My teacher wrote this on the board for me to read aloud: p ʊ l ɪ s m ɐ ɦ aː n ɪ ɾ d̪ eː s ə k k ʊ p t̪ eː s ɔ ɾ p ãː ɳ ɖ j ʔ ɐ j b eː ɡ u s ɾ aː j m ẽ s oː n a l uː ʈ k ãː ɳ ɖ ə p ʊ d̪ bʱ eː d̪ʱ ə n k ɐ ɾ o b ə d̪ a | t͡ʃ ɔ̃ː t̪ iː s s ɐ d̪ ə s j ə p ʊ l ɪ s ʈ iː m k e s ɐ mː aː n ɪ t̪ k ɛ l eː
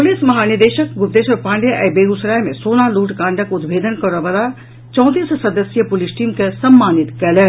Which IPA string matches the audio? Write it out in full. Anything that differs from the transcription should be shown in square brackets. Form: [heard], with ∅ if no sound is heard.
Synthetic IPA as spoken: p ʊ l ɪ s m ɐ ɦ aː n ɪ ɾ d̪ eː [ʃ] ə k [ɡ] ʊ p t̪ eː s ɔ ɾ p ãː ɳ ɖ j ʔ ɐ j b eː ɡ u s ɾ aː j m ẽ s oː n a l uː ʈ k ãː ɳ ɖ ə [k] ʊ d̪ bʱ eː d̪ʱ ə n k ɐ ɾ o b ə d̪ a | t͡ʃ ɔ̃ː t̪ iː s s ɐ d̪ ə s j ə p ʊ l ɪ s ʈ iː m k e s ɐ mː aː n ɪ t̪ k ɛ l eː